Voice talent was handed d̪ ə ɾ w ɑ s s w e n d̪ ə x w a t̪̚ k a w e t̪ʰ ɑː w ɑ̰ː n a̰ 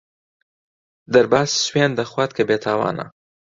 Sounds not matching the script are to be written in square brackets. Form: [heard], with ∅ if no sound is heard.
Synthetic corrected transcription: d̪ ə ɾ [b] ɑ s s w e n d̪ ə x w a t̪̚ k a [b] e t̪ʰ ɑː w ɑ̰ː n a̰